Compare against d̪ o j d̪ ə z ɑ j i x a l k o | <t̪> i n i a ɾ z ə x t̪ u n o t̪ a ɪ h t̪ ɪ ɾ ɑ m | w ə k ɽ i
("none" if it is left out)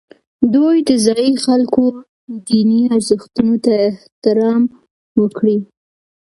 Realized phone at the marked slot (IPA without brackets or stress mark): d̪